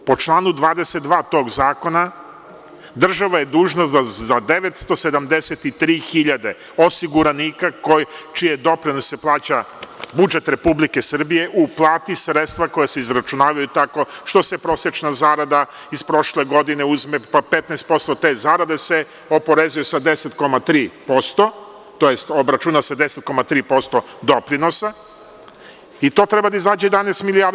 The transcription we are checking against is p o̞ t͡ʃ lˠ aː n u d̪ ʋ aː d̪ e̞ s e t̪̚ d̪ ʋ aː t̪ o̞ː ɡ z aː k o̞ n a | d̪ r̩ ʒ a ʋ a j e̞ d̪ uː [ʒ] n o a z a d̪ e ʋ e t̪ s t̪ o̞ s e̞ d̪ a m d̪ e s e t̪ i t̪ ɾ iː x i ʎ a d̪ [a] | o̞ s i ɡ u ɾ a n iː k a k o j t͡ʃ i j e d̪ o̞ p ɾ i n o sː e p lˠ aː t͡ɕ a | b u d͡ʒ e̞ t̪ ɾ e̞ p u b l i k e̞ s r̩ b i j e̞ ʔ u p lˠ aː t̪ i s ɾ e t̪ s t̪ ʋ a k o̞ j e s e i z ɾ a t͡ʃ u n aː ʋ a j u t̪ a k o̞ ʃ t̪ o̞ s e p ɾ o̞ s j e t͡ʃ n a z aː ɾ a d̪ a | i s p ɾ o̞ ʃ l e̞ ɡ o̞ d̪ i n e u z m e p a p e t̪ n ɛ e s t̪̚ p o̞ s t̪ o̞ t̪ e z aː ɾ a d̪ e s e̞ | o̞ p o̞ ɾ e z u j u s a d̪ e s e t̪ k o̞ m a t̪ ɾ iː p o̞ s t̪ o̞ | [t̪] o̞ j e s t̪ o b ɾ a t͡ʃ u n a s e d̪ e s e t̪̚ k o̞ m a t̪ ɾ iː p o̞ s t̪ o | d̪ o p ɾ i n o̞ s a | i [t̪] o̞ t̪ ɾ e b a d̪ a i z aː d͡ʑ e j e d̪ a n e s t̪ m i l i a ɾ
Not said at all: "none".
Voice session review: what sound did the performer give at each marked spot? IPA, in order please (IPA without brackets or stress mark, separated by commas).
ʒ, e, t̪, t̪